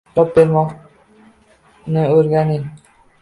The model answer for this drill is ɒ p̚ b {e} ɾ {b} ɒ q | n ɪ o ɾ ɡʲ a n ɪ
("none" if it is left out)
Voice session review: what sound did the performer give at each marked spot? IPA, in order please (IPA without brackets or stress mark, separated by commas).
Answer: e, m